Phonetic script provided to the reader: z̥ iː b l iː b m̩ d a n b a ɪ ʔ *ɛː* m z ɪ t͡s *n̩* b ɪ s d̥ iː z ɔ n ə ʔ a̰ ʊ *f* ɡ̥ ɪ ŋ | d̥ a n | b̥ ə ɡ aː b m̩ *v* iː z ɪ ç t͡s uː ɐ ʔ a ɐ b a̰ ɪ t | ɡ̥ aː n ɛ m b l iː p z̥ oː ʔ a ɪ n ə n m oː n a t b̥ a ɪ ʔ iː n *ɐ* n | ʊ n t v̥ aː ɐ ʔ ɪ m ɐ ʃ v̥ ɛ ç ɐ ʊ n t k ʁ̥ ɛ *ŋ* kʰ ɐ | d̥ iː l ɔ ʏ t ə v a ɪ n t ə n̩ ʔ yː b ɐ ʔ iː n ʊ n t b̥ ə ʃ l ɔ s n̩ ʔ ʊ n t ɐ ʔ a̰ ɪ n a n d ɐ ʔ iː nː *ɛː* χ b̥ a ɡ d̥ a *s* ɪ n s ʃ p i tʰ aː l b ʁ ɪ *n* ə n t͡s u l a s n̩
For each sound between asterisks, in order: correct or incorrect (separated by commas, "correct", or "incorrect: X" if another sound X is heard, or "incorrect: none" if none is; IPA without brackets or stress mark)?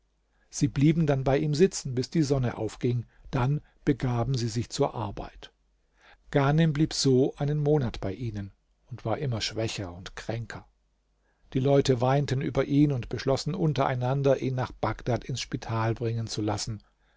incorrect: iː, correct, correct, incorrect: z, incorrect: ə, correct, incorrect: aː, incorrect: t, incorrect: ŋ